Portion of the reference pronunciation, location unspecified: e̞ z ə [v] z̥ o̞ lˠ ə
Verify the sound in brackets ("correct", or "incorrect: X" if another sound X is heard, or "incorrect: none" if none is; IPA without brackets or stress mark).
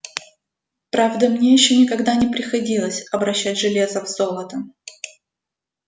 correct